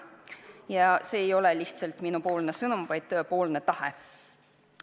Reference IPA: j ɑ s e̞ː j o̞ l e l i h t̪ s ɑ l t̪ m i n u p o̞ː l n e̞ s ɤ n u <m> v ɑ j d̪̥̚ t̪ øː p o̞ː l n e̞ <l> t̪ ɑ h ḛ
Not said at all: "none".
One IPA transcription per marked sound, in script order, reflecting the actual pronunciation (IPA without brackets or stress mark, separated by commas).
m, none